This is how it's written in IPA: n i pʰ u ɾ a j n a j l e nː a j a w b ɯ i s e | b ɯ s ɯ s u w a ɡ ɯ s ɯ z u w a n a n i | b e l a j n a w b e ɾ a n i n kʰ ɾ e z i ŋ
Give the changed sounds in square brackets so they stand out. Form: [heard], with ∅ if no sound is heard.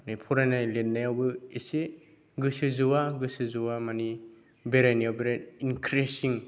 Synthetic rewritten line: n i pʰ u ɾ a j n a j l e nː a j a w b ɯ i s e | [ɡ] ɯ s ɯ [z] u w a ɡ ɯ s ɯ z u w a [m] a n i | b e [ɾ] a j n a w b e ɾ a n i n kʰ ɾ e [s] i ŋ

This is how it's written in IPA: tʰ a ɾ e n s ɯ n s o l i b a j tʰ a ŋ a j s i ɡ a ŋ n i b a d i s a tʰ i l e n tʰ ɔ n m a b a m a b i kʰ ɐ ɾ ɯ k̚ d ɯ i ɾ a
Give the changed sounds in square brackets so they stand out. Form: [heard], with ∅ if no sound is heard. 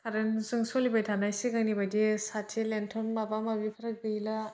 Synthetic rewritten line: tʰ a ɾ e n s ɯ [ŋ] s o l i b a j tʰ a [n] a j s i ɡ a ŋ n i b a d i s a tʰ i l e n tʰ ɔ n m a b a m a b i [pʰ] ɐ ɾ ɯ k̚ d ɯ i [l] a

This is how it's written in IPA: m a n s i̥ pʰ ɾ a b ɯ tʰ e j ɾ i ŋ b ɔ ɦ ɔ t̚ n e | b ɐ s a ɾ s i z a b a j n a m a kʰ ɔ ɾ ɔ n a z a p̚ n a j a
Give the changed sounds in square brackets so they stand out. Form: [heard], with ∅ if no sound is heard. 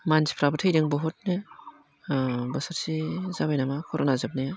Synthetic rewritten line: m a n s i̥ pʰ ɾ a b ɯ tʰ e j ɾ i ŋ b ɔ ɦ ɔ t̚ n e | b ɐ s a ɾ s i z a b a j n a m a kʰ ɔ ɾ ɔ n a z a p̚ n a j a

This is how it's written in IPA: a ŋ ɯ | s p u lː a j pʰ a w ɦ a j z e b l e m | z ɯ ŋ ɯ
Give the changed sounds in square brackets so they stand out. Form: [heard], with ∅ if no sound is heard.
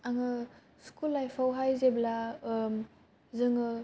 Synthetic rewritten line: a ŋ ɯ | s [k] u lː a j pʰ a w ɦ a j z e b l [a] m | z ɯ ŋ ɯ

